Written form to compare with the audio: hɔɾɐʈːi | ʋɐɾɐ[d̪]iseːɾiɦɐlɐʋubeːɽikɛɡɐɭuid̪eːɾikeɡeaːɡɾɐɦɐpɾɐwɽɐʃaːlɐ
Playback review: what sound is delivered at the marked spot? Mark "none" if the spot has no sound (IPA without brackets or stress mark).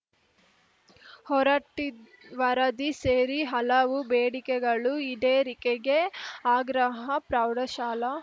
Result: d̪